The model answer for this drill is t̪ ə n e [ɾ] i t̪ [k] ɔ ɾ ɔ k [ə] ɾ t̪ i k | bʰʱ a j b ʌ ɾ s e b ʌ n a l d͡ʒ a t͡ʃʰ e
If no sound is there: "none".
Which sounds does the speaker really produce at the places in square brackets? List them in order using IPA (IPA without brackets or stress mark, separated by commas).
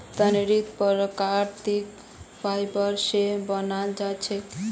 ɾ, p, a